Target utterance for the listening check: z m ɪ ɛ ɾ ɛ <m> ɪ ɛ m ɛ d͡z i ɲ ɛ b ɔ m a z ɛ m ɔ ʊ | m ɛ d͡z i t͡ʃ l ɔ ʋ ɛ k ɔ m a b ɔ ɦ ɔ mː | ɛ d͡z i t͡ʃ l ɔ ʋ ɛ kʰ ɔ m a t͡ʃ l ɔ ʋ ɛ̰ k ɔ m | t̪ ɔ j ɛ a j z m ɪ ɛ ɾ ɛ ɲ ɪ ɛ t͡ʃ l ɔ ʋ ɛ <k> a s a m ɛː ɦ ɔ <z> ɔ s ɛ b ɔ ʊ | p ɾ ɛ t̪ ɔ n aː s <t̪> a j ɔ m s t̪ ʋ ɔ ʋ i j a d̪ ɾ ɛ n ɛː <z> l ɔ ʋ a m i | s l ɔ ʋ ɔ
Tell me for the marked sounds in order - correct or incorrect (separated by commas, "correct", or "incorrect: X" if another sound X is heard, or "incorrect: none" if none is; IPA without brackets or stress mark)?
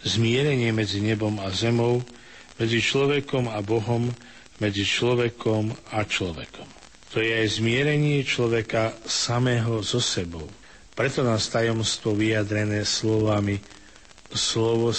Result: incorrect: ɲ, correct, correct, correct, incorrect: s